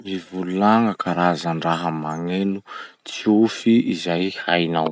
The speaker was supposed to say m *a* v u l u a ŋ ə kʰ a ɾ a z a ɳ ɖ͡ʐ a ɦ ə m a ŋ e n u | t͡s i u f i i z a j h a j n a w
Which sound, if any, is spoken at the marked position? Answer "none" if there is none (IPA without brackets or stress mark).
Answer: i